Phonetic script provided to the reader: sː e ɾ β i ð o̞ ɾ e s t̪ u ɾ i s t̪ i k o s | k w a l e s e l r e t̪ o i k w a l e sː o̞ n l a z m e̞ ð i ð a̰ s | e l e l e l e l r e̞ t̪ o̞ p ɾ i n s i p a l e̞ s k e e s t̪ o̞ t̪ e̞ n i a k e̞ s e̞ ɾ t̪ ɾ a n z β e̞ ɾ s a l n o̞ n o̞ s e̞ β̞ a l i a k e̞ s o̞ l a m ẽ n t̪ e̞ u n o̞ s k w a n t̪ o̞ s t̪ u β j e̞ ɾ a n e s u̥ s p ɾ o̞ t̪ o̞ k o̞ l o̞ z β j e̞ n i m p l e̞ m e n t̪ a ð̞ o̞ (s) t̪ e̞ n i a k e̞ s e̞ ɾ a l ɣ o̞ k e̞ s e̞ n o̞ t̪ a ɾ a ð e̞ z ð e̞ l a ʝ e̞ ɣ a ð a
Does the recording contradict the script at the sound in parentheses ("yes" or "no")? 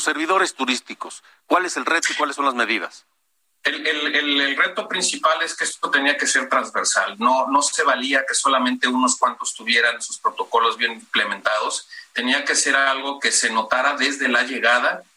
no